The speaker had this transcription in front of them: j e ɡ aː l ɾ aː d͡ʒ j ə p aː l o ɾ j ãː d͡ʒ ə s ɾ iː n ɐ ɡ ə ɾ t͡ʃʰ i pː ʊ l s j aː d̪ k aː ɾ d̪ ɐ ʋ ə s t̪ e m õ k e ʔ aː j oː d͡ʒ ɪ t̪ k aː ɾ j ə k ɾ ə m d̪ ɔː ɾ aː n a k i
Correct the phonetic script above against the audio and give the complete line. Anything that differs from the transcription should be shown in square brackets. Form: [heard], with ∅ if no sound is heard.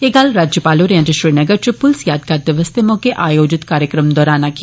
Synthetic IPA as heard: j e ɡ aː l ɾ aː d͡ʒ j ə p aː l o ɾ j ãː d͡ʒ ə [ʃ] ɾ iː n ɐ ɡ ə ɾ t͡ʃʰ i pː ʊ l s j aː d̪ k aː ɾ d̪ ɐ ʋ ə s t̪ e m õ k e ʔ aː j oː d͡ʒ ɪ t̪ k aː ɾ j ə k ɾ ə m d̪ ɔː ɾ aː n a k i